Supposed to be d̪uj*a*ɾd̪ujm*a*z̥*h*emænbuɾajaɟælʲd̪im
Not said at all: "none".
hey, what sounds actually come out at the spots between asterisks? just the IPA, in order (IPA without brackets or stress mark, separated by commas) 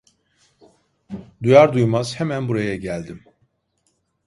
a, a, h